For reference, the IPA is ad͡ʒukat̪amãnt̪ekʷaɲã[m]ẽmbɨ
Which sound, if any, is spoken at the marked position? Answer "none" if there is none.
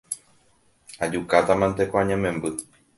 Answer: m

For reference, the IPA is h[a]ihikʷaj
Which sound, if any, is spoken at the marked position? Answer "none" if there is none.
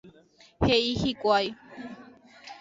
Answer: e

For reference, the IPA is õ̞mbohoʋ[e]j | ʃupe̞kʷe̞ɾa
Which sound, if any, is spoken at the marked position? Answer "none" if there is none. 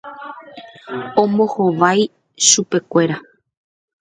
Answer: a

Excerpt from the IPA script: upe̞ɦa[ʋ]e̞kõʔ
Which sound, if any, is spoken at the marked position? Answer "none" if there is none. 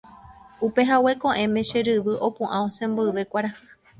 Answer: w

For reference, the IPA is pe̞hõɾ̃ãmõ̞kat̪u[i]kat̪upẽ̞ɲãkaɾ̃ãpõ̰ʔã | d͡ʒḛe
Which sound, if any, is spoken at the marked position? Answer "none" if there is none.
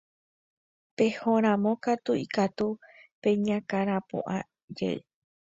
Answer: i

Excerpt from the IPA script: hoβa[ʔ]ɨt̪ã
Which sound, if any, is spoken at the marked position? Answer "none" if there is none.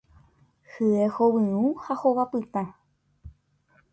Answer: p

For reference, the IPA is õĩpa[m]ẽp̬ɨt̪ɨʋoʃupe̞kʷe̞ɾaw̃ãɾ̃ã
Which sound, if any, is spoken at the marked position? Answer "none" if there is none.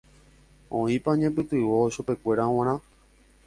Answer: ɲ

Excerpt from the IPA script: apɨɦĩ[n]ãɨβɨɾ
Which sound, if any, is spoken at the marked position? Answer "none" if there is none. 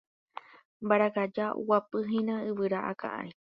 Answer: n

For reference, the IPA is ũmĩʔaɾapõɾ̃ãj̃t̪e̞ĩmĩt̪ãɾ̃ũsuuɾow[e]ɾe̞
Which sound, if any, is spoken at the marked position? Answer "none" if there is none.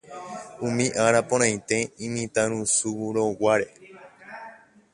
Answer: a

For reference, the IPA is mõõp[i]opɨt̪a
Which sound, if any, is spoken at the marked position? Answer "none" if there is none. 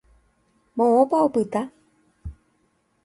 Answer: a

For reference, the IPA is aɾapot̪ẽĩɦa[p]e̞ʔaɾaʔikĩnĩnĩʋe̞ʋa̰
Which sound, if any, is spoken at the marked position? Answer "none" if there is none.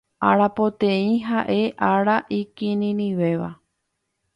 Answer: ʔ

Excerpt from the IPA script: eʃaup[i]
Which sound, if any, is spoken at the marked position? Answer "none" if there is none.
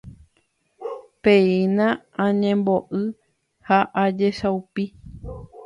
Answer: i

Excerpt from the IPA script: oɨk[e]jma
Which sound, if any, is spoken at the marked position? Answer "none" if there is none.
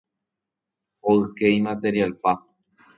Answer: e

